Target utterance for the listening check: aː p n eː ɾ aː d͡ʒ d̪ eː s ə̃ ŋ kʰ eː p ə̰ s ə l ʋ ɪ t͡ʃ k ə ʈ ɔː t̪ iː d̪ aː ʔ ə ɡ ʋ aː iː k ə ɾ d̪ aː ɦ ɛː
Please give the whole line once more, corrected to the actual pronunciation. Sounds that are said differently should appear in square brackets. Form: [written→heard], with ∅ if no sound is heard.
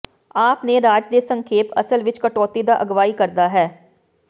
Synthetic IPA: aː p n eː ɾ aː d͡ʒ d̪ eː s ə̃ ŋ kʰ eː p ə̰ s ə l ʋ ɪ t͡ʃ k ə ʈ ɔː t̪ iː d̪ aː ʔ ə ɡ ʋ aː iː k ə ɾ d̪ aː ɦ ɛː